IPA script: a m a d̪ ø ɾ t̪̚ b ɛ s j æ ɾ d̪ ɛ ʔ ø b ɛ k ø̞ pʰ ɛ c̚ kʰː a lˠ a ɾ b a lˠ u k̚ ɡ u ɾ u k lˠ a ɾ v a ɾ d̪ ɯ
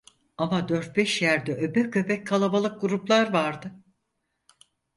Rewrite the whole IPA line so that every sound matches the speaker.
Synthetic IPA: a m a d̪ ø ɾ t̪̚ b ɛ ʃ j æ ɾ d̪ ɛ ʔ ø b ɛ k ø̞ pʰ ɛ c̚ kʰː a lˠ a b a lˠ ɯ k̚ ɡ u ɾ u p lˠ a ɾ v a ɾ d̪ ɯ